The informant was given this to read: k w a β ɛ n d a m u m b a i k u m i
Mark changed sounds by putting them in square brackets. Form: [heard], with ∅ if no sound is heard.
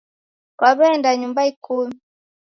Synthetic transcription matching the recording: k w a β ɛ n d a [ɲ] u m b a i k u m i

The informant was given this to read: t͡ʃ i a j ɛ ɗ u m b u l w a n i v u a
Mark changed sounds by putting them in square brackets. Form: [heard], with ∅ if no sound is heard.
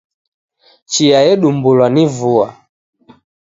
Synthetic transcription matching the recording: t͡ʃ i a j ɛ ɗ u m b u l w a n i v u a

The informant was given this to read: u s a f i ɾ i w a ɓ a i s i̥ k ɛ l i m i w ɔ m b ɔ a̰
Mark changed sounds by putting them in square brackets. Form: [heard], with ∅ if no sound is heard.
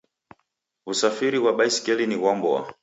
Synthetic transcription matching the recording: u s a f i ɾ i w a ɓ a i s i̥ k ɛ l i [n] i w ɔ m b ɔ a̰

